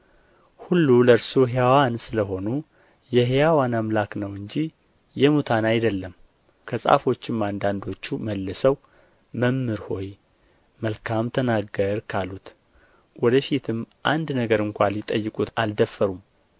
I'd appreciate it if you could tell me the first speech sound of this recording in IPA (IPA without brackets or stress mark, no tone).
h